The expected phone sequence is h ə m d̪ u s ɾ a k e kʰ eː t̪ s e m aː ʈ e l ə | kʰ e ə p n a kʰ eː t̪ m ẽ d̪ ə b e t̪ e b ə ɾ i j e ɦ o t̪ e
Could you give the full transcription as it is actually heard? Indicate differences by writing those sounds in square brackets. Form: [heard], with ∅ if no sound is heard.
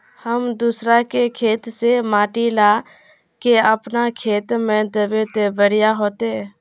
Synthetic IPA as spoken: h ə m d̪ u s ɾ a k e kʰ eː t̪ s e m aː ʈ [i] l [a] | [k] e ə p n a kʰ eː t̪ m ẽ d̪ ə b e t̪ e b ə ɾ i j [a] ɦ o t̪ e